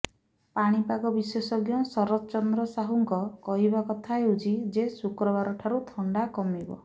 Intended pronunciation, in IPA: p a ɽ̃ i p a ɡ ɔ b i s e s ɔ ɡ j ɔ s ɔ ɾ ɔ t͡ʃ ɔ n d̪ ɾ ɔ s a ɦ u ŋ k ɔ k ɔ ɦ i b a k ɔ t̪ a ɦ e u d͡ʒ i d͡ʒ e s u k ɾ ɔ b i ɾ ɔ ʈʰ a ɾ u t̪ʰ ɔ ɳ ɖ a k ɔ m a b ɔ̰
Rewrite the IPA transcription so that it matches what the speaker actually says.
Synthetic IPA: p a ɽ̃ i p a ɡ ɔ b i s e s ɔ ɡ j ɔ s ɔ ɾ ɔ t͡ʃ ɔ n d̪ ɾ ɔ s a ɦ u ŋ k ɔ k ɔ ɦ i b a k ɔ t̪ʰ a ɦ e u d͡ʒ i d͡ʒ e s u k ɾ ɔ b a ɾ ɔ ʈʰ a ɾ u t̪ʰ ɔ ɳ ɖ a k ɔ m i b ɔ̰